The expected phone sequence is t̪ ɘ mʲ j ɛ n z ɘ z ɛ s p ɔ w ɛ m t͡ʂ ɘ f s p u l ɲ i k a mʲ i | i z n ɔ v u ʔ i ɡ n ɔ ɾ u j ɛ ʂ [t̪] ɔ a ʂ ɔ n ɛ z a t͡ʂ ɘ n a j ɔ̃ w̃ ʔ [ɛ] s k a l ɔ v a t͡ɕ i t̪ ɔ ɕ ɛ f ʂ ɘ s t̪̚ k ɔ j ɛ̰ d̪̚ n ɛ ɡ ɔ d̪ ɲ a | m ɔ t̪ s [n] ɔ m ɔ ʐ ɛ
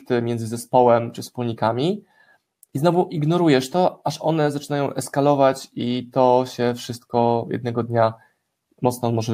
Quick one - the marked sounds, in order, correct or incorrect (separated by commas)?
correct, correct, correct